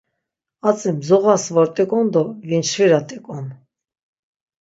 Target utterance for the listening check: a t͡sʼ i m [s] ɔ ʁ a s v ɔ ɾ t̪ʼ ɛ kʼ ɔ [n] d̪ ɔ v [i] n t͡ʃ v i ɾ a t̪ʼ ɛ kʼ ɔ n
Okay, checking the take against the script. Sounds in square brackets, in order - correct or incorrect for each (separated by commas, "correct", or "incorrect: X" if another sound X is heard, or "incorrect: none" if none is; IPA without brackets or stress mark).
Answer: incorrect: z, correct, correct